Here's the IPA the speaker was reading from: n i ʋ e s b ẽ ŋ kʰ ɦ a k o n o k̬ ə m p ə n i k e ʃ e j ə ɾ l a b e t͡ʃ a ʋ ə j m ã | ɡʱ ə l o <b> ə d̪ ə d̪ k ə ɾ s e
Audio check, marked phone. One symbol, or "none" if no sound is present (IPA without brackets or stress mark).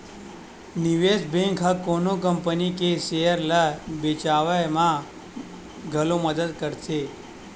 m